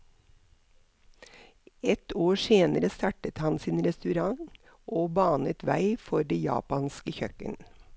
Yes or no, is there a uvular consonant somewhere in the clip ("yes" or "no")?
no